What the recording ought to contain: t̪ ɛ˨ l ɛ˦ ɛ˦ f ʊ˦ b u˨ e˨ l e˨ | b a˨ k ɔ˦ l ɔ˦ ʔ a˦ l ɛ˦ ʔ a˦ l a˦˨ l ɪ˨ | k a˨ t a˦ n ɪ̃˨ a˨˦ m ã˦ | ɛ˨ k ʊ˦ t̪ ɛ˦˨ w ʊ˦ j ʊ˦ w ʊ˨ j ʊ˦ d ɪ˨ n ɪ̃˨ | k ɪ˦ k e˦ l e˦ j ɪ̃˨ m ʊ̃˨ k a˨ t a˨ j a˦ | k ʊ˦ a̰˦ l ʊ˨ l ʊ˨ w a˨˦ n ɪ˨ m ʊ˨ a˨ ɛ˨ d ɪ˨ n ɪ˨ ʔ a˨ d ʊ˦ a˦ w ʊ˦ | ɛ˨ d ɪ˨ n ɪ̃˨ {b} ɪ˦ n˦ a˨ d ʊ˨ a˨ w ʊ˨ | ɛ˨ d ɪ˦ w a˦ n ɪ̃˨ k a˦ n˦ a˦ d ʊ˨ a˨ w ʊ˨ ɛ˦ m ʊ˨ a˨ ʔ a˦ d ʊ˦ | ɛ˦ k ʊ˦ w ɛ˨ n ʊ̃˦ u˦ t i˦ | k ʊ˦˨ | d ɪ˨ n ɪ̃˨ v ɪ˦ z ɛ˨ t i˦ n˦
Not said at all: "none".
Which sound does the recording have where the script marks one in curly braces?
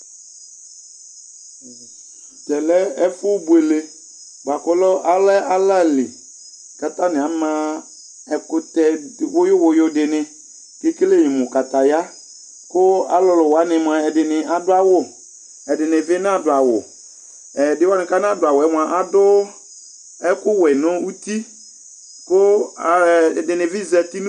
v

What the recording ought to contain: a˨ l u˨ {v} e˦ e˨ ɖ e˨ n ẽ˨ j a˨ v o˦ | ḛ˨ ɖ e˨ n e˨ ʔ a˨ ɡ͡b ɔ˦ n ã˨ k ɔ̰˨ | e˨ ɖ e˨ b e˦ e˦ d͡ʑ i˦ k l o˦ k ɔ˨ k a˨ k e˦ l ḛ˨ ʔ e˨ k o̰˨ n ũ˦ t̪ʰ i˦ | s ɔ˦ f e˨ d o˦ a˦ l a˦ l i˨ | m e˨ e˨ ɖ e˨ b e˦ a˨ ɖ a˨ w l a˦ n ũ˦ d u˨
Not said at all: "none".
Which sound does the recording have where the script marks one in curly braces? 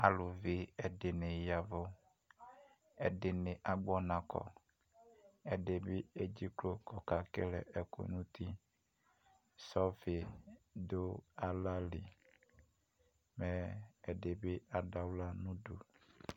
v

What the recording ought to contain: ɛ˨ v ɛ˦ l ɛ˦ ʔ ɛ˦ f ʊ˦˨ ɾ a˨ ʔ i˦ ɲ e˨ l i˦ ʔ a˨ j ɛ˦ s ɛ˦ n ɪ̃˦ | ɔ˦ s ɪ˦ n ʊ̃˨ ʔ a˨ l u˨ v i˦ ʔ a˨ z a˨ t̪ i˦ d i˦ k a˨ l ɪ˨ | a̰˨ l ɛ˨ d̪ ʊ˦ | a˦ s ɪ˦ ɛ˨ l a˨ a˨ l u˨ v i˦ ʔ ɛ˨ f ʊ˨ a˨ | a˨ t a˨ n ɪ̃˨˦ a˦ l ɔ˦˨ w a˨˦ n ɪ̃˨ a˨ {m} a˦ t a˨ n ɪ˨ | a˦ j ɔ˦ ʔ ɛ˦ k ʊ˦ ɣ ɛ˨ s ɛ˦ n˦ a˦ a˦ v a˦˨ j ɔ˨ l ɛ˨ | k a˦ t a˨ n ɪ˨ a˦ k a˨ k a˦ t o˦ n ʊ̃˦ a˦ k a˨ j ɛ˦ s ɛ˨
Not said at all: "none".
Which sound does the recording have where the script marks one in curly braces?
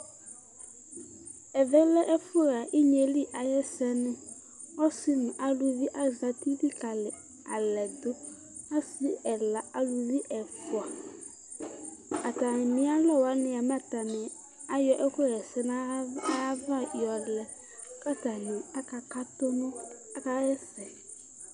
m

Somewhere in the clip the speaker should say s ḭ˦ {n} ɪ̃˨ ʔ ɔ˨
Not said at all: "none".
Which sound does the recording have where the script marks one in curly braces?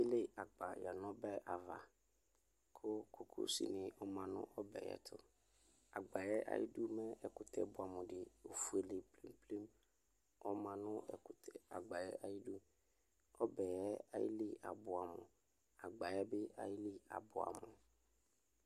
n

